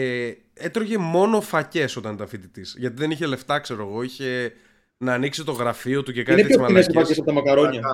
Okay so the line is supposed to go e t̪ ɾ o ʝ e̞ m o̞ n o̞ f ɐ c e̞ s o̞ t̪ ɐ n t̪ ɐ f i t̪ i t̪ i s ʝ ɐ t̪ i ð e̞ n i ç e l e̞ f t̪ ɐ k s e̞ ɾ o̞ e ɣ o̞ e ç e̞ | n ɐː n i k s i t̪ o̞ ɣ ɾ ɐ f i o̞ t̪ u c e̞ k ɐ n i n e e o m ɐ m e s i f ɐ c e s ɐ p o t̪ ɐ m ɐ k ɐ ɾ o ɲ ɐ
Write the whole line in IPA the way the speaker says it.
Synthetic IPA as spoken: e t̪ ɾ o ʝ e̞ m o̞ n o̞ f ɐ c e̞ s o̞ t̪ ɐ n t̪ ɐ f i t̪ i t̪ i s ʝ ɐ t̪ i ð e̞ n i ç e l e̞ f t̪ ɐ k s e̞ ɾ o̞ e ɣ o̞ i ç e̞ | n ɐː n i k s i t̪ o̞ ɣ ɾ ɐ f i o̞ t̪ u c e̞ k ɐ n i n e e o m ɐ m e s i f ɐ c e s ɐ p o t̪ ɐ m ɐ k ɐ ɾ o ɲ ɐ